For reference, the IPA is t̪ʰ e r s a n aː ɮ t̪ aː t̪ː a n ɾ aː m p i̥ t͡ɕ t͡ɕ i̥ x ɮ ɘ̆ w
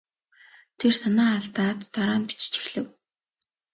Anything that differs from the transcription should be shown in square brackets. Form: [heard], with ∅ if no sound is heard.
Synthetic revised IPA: t̪ʰ e r s a n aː ɮ t̪ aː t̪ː a [∅] ɾ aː [n] p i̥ t͡ɕ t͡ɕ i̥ x ɮ ɘ̆ w